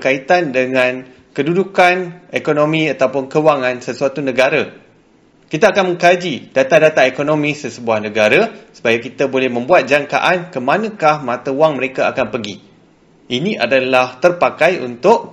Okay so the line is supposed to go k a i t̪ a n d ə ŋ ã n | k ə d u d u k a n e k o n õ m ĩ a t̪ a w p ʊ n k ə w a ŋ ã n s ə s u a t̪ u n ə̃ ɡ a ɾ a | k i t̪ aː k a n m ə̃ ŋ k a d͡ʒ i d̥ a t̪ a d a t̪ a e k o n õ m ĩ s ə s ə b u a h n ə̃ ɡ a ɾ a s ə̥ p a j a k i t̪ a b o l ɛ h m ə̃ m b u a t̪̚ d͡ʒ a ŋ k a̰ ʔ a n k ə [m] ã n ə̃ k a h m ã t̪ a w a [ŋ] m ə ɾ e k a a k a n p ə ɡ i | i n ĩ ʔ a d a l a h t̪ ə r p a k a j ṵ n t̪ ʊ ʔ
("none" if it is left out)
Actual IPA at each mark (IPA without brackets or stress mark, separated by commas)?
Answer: m, ŋ